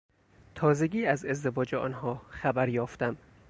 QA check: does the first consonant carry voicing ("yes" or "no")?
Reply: no